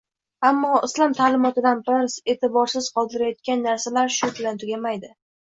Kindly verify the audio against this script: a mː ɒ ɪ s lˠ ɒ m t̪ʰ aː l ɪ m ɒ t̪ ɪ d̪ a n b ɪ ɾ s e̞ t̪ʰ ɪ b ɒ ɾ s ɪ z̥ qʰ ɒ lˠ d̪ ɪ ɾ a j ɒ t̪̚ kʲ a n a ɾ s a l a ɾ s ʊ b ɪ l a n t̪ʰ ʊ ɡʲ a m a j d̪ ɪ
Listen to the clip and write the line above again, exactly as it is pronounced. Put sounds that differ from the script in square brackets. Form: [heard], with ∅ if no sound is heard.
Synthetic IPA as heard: a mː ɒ ɪ s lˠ ɒ m t̪ʰ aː l ɪ m ɒ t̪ ɪ d̪ a n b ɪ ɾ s e̞ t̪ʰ ɪ b ɒ ɾ s ɪ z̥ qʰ ɒ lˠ d̪ ɪ ɾ a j ɒ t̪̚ kʲ a [nː] a ɾ s a l a ɾ [ʃ] ʊ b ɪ l a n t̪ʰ ʊ ɡʲ a m a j d̪ ɪ

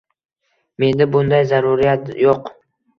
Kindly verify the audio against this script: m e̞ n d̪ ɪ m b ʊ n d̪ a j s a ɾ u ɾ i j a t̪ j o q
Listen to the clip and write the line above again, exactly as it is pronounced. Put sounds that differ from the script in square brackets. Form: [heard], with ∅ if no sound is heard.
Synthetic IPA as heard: m e̞ n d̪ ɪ [∅] b ʊ n d̪ a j [z] a ɾ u ɾ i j a t̪ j o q

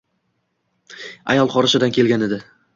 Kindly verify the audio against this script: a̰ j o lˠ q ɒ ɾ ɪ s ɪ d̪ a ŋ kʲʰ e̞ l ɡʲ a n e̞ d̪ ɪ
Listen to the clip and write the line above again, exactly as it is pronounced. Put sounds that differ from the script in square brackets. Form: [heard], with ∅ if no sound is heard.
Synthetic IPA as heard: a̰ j [ɒ] lˠ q ɒ ɾ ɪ [ʃ] ɪ d̪ a [n] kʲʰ e̞ l ɡʲ a n e̞ d̪ ɪ

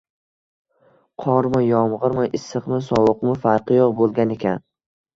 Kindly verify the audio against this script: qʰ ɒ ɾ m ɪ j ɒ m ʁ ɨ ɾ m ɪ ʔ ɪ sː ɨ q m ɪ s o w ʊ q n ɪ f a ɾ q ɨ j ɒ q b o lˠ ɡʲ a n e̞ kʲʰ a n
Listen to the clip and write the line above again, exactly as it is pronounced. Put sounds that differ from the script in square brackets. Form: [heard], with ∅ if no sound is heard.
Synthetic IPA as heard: qʰ ɒ ɾ m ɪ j ɒ m ʁ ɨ ɾ m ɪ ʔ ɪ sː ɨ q m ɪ s [ɒ] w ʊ q [m] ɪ f a ɾ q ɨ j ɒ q b o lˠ ɡʲ a n e̞ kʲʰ a n

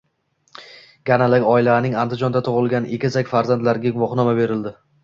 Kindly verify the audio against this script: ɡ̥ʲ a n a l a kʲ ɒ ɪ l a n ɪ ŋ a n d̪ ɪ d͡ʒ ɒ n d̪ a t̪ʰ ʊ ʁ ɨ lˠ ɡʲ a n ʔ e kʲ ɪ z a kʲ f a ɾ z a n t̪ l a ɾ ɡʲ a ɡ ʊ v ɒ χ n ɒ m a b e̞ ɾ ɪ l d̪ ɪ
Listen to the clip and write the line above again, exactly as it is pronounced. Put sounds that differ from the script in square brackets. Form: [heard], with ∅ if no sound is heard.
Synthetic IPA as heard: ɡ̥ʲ a n a l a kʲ ɒ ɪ l a n ɪ ŋ a n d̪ ɪ d͡ʒ ɒ n d̪ a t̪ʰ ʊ ʁ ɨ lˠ ɡʲ a n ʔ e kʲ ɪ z a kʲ f a ɾ z a n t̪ l a ɾ ɡʲ a ɡ ʊ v ɒ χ n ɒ m a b e̞ ɾ ɪ l d̪ ɪ

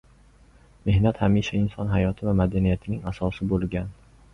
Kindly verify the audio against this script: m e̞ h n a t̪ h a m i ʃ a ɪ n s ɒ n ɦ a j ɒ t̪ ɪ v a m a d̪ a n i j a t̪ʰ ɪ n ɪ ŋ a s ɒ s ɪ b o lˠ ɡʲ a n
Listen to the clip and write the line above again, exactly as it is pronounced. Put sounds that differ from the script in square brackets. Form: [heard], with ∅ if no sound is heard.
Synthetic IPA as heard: m e̞ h n a t̪ h a m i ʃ a ɪ n s ɒ n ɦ a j ɒ [t̪ʰ] ɪ v a m a d̪ a n i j a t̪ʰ ɪ n ɪ ŋ a s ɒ s ɪ b o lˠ ɡʲ a n

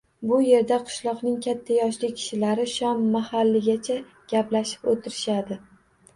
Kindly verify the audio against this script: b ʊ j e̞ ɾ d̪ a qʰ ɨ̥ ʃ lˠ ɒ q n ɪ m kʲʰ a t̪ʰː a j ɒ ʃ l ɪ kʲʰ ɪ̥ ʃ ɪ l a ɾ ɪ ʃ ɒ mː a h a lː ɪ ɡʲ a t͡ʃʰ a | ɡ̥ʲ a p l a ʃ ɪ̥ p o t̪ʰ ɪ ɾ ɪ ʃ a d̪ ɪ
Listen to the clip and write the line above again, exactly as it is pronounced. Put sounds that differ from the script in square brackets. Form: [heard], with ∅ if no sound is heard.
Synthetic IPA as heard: b ʊ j e̞ ɾ d̪ a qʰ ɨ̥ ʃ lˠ ɒ q n ɪ [ŋ] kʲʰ a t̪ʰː a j ɒ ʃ l ɪ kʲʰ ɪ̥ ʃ ɪ l a ɾ ɪ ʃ ɒ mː a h a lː ɪ ɡʲ a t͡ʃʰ a | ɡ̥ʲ a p l a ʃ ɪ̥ p o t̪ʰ ɪ ɾ ɪ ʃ a d̪ ɪ

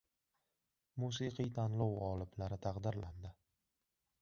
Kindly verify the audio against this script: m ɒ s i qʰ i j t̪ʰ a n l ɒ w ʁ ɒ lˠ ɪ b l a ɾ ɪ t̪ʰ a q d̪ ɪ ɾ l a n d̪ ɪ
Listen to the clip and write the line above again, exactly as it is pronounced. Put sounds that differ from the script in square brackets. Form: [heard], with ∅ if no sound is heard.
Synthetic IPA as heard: m [u] s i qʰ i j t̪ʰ a n l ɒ w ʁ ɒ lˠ ɪ b l a ɾ ɪ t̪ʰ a q d̪ ɪ ɾ l a n d̪ ɪ

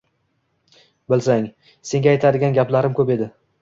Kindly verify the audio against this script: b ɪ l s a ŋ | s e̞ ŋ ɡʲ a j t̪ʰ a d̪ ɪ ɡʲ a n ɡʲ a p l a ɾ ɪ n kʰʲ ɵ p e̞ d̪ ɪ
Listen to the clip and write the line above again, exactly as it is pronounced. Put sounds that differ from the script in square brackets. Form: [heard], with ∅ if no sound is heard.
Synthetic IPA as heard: b ɪ l s a ŋ | s e̞ ŋ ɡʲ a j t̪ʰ a d̪ ɪ ɡʲ a n ɡʲ a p l a ɾ ɪ [m] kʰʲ ɵ p e̞ d̪ ɪ

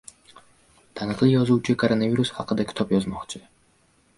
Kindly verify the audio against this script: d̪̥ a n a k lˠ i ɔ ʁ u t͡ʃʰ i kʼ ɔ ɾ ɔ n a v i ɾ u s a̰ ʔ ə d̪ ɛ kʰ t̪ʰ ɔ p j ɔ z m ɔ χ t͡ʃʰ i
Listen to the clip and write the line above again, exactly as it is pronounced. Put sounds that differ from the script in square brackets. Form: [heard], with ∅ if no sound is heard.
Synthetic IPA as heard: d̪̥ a n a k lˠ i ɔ [z] u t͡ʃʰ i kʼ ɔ ɾ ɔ n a v i ɾ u s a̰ [q] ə d̪ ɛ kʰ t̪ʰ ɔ p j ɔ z m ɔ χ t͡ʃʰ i

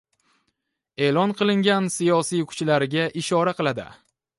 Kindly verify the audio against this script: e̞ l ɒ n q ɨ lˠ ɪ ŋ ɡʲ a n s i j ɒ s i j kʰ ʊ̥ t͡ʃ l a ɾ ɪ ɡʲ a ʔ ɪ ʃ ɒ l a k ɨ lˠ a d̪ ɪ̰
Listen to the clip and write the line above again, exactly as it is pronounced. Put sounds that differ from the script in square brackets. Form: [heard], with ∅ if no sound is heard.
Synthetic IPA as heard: e̞ l ɒ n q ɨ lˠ ɪ ŋ ɡʲ a n s i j ɒ s i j kʰ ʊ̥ t͡ʃ l a ɾ ɪ ɡʲ a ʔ ɪ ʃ ɒ [ɾ] a [q] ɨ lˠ a d̪ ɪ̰

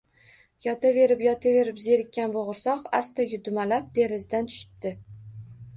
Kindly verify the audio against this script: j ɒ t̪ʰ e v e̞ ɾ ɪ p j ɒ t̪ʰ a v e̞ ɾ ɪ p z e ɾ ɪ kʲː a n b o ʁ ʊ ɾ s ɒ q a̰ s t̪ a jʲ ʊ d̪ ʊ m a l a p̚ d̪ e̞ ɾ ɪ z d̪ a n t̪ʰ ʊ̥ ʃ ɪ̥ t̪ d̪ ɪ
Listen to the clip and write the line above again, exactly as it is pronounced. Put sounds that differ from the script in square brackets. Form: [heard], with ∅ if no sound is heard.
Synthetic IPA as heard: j ɒ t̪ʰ [a] v e̞ ɾ ɪ p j ɒ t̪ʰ a v e̞ ɾ ɪ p z e ɾ ɪ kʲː a n b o ʁ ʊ ɾ s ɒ q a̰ s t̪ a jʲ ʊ d̪ ʊ m a l a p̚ d̪ e̞ ɾ ɪ z d̪ a n t̪ʰ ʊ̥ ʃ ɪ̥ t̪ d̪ ɪ

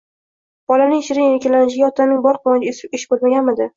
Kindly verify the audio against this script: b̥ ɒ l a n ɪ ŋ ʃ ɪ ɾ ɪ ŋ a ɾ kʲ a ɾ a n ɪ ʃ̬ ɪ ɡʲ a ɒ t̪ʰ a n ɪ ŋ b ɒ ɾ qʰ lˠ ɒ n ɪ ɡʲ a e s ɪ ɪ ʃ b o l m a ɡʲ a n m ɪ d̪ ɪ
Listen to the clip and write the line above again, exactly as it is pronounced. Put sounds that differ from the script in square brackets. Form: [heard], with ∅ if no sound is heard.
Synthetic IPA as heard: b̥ ɒ l a n ɪ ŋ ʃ ɪ ɾ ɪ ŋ [e] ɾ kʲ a [l] a n ɪ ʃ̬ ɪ ɡʲ a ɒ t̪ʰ a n ɪ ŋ b ɒ ɾ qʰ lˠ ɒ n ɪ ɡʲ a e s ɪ ɪ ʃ b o l m a ɡʲ a n m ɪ d̪ ɪ

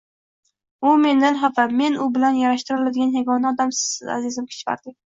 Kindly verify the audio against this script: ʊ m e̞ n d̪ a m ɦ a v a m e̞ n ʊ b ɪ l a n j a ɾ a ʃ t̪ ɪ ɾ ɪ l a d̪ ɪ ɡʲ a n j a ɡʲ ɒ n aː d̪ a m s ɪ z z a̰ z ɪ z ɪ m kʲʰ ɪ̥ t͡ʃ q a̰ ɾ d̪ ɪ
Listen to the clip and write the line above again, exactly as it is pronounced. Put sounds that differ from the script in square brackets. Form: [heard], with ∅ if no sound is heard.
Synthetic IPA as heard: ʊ m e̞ n d̪ a [n] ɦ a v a m e̞ n ʊ b ɪ l a n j a ɾ a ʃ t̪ ɪ ɾ ɪ l a d̪ ɪ ɡʲ a n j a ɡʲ ɒ n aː d̪ a m s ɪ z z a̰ z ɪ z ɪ m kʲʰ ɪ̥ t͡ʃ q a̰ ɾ d̪ ɪ

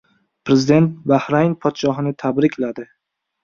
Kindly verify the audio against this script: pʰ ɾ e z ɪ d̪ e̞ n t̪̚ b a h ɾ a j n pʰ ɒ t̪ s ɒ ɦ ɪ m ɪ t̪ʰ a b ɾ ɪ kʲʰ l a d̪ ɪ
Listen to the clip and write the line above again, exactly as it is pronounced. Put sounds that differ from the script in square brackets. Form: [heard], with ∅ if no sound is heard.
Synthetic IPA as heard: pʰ ɾ e z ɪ d̪ e̞ n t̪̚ b a h ɾ a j n pʰ ɒ t̪ [ʃ] ɒ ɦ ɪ [n] ɪ t̪ʰ a b ɾ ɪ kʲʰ l a d̪ ɪ

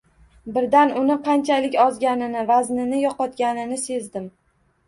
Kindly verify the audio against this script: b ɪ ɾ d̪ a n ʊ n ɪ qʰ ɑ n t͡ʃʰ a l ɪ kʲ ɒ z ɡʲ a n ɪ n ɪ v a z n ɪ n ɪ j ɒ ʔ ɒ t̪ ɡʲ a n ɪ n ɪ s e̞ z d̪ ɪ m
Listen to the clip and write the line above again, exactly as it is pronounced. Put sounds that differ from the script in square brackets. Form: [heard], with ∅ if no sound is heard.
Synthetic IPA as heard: b ɪ ɾ d̪ a n ʊ n ɪ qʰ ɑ n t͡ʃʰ a l ɪ kʲ ɒ z ɡʲ a n ɪ n ɪ v a z n ɪ n ɪ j ɒ [q] ɒ t̪ ɡʲ a n ɪ n ɪ s e̞ z d̪ ɪ m

